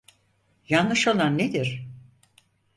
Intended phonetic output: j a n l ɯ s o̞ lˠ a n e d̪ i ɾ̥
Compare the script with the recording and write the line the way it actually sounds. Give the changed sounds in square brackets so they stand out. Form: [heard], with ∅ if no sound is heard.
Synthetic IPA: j a n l ɯ [ʃ] o̞ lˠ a [nː] e d̪ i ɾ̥

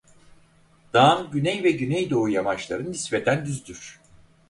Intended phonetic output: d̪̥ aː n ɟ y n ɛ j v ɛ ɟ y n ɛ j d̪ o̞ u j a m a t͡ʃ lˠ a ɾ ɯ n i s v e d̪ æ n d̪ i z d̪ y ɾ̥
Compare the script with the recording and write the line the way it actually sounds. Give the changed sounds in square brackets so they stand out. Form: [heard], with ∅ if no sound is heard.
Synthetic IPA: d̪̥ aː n ɟ y n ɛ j v ɛ ɟ y n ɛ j d̪ o̞ u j a m a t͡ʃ lˠ a ɾ ɯ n i s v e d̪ æ n d̪ [y] z d̪ y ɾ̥

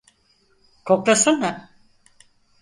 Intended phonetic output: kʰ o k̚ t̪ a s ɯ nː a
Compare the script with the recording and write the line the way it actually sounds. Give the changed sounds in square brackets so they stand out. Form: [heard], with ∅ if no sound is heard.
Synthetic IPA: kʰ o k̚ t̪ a s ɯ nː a

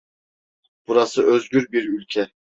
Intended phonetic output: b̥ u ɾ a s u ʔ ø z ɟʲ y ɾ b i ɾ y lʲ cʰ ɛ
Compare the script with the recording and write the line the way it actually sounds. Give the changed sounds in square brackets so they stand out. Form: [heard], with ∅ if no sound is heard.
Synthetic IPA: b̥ u ɾ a s [ɯ] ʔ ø z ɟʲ y ɾ b i ɾ y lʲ cʰ ɛ

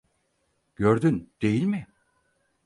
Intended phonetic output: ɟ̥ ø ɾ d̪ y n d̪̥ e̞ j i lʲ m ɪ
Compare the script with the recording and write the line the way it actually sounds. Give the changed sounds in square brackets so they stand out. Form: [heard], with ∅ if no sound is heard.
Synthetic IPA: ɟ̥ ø ɾ d̪ y n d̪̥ e̞ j i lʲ m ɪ

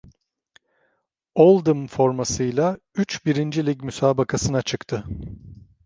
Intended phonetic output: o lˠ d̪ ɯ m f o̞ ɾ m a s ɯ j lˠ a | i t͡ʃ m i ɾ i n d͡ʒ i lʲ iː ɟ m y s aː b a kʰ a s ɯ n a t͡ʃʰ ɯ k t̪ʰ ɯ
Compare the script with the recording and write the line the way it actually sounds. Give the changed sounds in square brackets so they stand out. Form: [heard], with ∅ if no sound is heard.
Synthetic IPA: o lˠ d̪ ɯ m f o̞ ɾ m a s ɯ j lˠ a | [y] t͡ʃ [b] i ɾ i n d͡ʒ i lʲ [i] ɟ m y s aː b a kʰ a s ɯ n a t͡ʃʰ ɯ k t̪ʰ ɯ

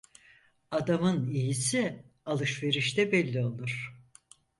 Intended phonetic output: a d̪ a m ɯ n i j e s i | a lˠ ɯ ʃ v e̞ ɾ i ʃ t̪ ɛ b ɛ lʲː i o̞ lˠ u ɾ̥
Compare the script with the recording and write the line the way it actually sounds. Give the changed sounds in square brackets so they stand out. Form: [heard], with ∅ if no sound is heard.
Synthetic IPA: a d̪ a m ɯ n i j [i] s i | a lˠ ɯ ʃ v e̞ ɾ i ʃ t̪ ɛ b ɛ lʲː i o̞ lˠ u ɾ̥

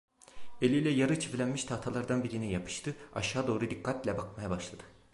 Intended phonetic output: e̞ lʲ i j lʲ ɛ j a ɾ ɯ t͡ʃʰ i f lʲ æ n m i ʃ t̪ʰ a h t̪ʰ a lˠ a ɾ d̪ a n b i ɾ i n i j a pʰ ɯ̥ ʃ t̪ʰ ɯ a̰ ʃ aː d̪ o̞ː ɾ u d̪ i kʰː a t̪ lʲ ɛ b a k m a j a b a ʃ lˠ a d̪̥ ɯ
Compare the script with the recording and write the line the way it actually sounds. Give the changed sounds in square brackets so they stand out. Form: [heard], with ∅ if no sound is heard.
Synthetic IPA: e̞ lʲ i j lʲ ɛ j a ɾ ɯ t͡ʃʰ i f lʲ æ n m i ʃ t̪ʰ a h t̪ʰ a lˠ a ɾ d̪ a n b i ɾ i n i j a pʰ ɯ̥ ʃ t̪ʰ ɯ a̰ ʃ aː d̪ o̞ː ɾ u d̪ i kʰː a t̪ lʲ ɛ b a k m a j a b a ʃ lˠ a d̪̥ ɯ

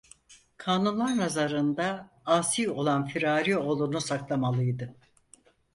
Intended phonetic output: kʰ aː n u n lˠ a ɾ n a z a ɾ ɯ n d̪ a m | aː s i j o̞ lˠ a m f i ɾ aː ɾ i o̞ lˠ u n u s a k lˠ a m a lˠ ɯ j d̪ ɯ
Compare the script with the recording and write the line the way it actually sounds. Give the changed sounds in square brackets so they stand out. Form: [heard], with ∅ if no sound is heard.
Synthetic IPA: kʰ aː n u n lˠ a ɾ n a z a ɾ ɯ n d̪ a [∅] | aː s i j o̞ lˠ a [n] f i ɾ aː ɾ i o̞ lˠ u n u s a k lˠ a m a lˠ ɯ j d̪ ɯ

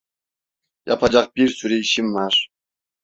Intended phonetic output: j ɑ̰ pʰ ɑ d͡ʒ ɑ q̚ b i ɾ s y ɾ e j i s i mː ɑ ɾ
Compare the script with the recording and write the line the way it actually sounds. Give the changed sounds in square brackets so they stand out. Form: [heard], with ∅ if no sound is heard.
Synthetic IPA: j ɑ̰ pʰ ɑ d͡ʒ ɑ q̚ b i ɾ s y ɾ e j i [ʃ] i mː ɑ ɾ

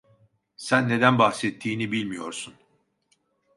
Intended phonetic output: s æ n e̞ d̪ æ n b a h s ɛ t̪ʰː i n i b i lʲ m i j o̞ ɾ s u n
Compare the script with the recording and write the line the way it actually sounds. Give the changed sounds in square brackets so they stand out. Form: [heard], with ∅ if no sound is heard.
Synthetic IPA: s æ [nː] e̞ d̪ æ n b a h s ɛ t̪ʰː [iː] n i b i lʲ m i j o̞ ɾ s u n

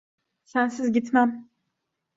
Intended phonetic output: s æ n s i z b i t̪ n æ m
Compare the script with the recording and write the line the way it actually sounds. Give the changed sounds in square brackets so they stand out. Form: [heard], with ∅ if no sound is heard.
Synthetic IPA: s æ n s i z [ɟ] i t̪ [m] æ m

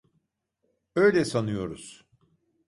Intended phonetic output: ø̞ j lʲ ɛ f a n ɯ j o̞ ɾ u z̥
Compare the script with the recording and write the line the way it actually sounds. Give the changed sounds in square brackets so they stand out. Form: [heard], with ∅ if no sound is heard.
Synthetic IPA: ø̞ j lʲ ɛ [s] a n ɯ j o̞ ɾ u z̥

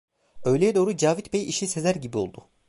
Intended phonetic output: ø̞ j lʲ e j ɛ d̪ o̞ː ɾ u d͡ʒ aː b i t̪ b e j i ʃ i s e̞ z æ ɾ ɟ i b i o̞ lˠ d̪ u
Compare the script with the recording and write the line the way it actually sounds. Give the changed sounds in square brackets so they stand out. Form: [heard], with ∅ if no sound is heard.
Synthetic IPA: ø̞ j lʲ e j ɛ d̪ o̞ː ɾ u d͡ʒ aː [v] i t̪ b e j i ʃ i s e̞ z æ ɾ ɟ i b i o̞ lˠ d̪ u

